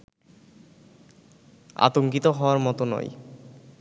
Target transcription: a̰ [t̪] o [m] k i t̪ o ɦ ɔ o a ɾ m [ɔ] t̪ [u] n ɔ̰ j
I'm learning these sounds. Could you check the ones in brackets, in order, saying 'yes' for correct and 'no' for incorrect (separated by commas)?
yes, no, yes, no